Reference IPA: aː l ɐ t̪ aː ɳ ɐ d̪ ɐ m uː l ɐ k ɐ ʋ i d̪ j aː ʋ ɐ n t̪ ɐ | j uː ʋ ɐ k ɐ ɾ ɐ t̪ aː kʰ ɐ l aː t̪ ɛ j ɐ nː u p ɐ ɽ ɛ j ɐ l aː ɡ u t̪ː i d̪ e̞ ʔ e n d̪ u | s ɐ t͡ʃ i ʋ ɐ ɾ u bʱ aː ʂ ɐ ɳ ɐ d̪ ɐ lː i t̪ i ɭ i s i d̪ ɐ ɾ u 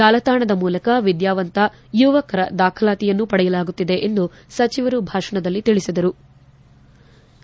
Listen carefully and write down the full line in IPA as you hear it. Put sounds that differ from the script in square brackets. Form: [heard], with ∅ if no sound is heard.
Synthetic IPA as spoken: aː l ɐ t̪ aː ɳ ɐ d̪ ɐ m uː l ɐ k ɐ ʋ i d̪ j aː ʋ ɐ n t̪ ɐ | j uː ʋ ɐ k ɐ ɾ ɐ [d̪] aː kʰ ɐ l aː t̪ [i] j ɐ nː u p ɐ ɽ ɛ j ɐ l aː ɡ u t̪ː i d̪ e̞ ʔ e n d̪ u | s ɐ t͡ʃ i ʋ ɐ ɾ u bʱ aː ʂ ɐ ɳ ɐ d̪ ɐ lː i t̪ i ɭ i s i d̪ ɐ ɾ u

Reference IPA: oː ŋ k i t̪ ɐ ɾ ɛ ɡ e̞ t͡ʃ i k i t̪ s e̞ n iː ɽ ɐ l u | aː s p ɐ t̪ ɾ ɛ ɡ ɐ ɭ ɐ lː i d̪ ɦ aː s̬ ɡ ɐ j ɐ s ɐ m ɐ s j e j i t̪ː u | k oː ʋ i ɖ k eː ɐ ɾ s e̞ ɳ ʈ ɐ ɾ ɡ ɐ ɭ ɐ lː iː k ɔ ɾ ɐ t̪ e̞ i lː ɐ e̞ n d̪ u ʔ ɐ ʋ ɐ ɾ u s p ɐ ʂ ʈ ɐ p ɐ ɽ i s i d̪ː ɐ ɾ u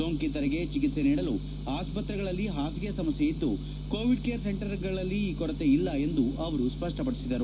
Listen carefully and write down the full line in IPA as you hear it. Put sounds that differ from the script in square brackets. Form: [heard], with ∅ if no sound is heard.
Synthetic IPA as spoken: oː ŋ k i t̪ ɐ ɾ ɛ ɡ e̞ t͡ʃ i k i t̪ s e̞ n iː ɽ ɐ l u | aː s p ɐ t̪ ɾ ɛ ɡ ɐ ɭ ɐ lː i [∅] ɦ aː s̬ ɡ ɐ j ɐ s ɐ m ɐ s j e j i [d̪ː] u | k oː ʋ i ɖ k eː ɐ ɾ s e̞ ɳ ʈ ɐ ɾ ɡ ɐ ɭ ɐ lː iː k ɔ ɾ ɐ t̪ e̞ i lː ɐ e̞ n d̪ u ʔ ɐ ʋ ɐ ɾ u s p ɐ ʂ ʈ ɐ p ɐ ɽ i s i [d̪] ɐ ɾ u

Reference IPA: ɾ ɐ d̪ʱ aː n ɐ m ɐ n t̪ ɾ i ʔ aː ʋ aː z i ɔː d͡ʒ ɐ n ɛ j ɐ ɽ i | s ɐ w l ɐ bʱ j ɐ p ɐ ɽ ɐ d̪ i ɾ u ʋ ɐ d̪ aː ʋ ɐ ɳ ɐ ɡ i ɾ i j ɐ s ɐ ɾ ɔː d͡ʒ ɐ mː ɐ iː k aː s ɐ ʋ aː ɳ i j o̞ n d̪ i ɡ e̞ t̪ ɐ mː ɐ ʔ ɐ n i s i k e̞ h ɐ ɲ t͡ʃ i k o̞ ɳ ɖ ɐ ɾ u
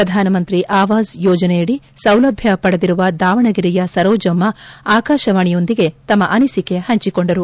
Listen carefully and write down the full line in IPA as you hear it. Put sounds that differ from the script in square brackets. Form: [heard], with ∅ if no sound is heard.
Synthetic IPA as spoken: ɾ ɐ d̪ʱ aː n ɐ m ɐ n t̪ ɾ i ʔ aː ʋ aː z [j] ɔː d͡ʒ ɐ n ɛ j ɐ ɽ i | s ɐ w l ɐ bʱ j ɐ p ɐ ɽ ɐ d̪ i ɾ u ʋ ɐ d̪ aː ʋ ɐ ɳ ɐ ɡ i ɾ i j ɐ s ɐ ɾ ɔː d͡ʒ ɐ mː ɐ [aː] k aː [ʃ] ɐ ʋ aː ɳ i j o̞ n d̪ i ɡ e̞ t̪ ɐ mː ɐ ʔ ɐ n i s i k e̞ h ɐ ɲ t͡ʃ i k o̞ ɳ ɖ ɐ ɾ u

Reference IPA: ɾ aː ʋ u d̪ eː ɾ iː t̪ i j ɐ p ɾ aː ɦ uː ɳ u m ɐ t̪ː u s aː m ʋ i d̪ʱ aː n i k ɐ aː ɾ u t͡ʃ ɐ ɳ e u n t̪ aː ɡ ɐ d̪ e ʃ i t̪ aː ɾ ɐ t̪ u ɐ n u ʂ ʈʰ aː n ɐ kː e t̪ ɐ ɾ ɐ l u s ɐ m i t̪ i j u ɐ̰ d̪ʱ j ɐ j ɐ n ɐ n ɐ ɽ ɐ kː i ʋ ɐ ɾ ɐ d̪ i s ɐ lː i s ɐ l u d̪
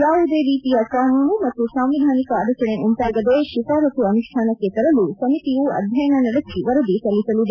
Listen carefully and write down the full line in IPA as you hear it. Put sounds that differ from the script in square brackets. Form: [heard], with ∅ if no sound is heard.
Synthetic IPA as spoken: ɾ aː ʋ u d̪ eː ɾ iː t̪ i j ɐ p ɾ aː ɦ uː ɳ u m ɐ t̪ː u s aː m ʋ i d̪ʱ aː n i k ɐ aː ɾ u t͡ʃ ɐ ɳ e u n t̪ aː ɡ ɐ d̪ e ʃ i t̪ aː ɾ ɐ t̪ u ɐ n u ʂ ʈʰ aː n ɐ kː e t̪ ɐ ɾ ɐ l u s ɐ m i t̪ i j u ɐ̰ d̪ʱ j ɐ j ɐ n ɐ n ɐ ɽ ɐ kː i ʋ ɐ ɾ ɐ d̪ i s ɐ lː i s ɐ l u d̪

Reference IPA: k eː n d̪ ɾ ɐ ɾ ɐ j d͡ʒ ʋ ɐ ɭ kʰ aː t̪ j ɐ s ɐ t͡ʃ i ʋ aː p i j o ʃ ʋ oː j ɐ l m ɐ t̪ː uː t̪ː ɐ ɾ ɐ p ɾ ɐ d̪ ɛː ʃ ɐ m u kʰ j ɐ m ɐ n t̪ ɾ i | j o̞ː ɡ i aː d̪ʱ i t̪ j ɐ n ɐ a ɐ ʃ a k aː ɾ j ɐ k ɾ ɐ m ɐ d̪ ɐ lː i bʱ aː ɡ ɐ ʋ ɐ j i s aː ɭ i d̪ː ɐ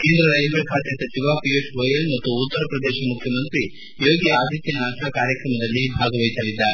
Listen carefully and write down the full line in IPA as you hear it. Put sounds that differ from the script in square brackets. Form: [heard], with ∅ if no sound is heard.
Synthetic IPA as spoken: k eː n d̪ ɾ ɐ ɾ ɐ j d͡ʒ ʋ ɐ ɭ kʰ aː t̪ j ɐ s ɐ t͡ʃ i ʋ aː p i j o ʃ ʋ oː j ɐ l m ɐ t̪ː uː t̪ː ɐ ɾ ɐ p ɾ ɐ d̪ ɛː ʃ ɐ m u kʰ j ɐ m ɐ n t̪ ɾ i | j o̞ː ɡ i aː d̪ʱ i t̪ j ɐ n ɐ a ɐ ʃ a k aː ɾ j ɐ k ɾ ɐ m ɐ d̪ ɐ lː i bʱ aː ɡ ɐ ʋ ɐ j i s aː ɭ i d̪ː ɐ

